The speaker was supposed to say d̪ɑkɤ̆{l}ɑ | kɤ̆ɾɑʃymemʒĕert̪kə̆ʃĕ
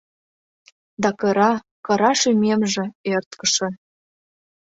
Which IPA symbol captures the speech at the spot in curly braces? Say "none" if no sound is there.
ɾ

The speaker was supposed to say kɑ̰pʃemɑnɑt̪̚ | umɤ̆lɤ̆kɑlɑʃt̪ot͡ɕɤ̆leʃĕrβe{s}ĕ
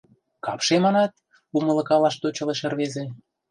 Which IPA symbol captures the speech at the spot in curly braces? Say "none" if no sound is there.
z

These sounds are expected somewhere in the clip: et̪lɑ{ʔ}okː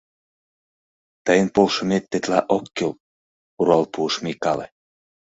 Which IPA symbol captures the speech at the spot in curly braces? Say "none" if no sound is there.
ʔ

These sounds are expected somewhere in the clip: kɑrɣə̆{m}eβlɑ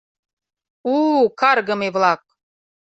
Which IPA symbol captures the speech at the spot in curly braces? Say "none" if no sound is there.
m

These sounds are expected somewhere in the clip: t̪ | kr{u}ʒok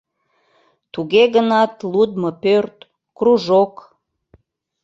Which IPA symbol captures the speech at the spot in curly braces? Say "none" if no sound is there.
u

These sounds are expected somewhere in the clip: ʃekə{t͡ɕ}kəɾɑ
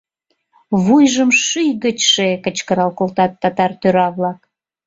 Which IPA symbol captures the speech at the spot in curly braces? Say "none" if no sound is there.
t͡ɕ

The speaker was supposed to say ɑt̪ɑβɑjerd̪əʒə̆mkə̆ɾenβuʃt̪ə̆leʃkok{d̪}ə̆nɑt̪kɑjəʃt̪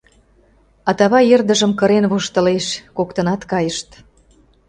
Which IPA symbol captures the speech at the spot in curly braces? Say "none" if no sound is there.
t̪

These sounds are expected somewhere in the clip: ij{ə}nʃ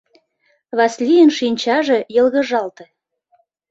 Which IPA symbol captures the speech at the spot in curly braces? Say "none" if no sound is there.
ə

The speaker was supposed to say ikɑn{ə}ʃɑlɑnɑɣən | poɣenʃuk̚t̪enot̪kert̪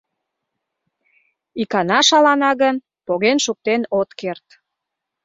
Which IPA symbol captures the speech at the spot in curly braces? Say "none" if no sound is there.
ɑ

